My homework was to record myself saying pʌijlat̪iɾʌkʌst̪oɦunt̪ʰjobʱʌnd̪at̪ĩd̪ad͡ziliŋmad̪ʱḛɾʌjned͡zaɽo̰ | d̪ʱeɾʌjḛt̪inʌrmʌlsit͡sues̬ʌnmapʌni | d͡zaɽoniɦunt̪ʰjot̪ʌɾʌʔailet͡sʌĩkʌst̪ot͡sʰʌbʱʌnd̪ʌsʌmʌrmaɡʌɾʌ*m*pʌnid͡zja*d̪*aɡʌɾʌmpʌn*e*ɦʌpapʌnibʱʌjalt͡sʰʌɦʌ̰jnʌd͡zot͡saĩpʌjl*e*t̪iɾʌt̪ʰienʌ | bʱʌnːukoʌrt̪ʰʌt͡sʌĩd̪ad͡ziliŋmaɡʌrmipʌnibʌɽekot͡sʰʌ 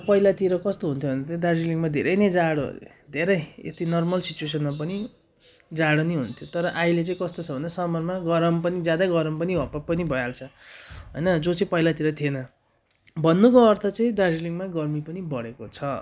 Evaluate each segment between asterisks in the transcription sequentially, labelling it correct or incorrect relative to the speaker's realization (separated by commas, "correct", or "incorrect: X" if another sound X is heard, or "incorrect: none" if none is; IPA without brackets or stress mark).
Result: correct, correct, incorrect: i, incorrect: a